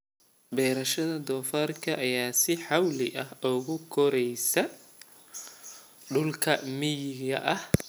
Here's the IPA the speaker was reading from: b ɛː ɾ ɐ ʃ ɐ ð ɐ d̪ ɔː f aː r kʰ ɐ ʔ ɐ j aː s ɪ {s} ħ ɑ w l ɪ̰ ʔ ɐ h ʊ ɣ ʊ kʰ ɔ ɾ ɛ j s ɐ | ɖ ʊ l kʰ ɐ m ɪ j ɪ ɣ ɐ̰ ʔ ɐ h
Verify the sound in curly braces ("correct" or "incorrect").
incorrect